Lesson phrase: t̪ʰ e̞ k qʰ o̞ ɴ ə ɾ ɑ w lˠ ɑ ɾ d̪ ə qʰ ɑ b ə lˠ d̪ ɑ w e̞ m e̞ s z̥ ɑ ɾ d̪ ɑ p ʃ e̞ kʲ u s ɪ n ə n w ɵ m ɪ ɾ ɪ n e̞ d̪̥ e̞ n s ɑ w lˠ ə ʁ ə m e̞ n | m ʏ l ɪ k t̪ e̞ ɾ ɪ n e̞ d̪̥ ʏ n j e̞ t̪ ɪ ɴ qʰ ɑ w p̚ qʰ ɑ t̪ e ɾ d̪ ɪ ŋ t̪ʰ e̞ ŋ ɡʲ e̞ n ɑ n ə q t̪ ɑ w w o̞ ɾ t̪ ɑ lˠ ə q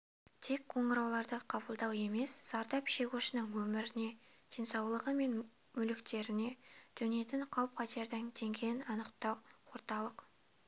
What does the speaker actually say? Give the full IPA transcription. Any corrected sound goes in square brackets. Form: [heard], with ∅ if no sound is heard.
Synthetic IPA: t̪ʰ e̞ k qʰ o̞ ɴ ə ɾ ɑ w lˠ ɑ ɾ d̪ ə qʰ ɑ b ə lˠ d̪ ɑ w e̞ m e̞ s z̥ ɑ ɾ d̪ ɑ p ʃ e̞ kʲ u [ʃ] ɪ n ə [ŋ] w ɵ m ɪ ɾ ɪ n e̞ d̪̥ e̞ n s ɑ w lˠ ə ʁ ə m e̞ n | m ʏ l ɪ k t̪ e̞ ɾ ɪ n e̞ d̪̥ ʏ n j e̞ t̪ ɪ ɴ qʰ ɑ w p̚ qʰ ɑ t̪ e ɾ d̪ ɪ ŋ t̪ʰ e̞ ŋ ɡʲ e̞ n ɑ n ə q t̪ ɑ w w o̞ ɾ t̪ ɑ lˠ ə q